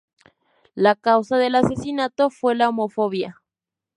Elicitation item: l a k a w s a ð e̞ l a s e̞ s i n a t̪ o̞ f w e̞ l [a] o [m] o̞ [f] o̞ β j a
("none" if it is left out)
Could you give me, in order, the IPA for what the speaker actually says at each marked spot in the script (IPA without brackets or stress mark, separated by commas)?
a, m, f